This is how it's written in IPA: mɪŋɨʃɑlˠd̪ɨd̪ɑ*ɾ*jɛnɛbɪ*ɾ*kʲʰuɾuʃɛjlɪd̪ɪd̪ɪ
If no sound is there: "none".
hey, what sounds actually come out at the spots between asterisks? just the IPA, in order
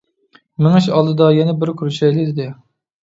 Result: none, ɾ

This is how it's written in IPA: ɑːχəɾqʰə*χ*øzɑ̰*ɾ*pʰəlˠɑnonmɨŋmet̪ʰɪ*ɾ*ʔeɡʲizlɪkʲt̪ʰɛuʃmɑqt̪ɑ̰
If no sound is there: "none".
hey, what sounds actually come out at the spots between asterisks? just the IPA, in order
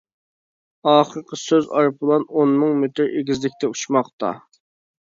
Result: s, ɾ, ɾ

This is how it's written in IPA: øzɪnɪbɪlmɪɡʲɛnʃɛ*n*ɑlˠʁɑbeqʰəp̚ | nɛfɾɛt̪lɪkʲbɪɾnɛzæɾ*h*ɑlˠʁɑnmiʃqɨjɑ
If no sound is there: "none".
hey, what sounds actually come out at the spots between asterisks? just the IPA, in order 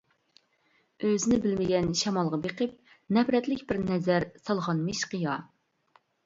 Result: m, s

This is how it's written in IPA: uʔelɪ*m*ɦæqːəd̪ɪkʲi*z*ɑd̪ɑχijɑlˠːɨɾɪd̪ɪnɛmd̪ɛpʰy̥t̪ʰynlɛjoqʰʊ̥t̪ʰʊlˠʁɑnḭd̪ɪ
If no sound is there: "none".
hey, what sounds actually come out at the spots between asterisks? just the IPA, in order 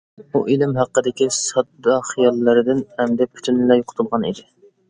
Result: m, s

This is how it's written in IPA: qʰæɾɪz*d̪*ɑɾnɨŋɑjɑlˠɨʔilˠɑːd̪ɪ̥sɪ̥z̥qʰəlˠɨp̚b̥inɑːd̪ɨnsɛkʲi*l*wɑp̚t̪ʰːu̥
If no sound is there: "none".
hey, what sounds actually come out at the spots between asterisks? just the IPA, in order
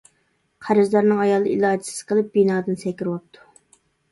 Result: d̪, ɾ

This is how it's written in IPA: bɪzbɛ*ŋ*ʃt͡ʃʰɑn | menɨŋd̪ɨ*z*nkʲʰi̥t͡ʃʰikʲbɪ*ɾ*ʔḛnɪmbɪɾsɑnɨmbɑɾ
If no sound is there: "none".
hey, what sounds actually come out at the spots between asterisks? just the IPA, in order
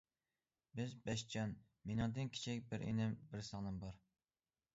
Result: none, none, ɾ

